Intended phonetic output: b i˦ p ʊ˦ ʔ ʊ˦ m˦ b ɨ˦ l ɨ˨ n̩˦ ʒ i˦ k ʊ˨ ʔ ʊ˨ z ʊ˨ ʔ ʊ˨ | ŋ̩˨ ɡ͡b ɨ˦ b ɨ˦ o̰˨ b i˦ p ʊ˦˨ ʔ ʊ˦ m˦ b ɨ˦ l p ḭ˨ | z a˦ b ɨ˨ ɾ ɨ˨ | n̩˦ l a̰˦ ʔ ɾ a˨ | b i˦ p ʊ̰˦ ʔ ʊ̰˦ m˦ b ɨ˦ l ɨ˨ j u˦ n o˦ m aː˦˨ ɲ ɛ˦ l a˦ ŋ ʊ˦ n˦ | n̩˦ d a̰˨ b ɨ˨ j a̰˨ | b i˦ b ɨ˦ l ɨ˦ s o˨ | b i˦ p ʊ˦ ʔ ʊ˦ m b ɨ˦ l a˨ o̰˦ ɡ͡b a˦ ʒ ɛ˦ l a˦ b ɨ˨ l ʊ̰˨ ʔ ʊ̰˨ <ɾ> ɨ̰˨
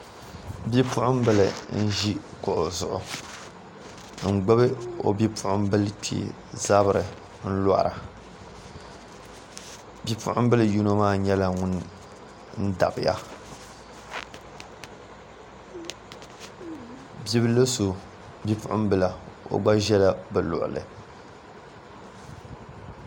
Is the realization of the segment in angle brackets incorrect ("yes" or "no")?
yes